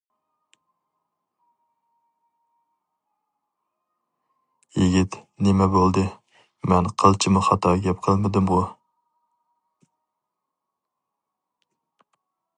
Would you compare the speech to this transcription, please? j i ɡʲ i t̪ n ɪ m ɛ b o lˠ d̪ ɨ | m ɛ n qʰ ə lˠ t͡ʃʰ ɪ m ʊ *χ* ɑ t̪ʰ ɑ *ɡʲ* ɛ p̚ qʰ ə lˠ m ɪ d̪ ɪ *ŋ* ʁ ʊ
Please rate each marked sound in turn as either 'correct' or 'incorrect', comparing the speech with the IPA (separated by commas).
correct, correct, incorrect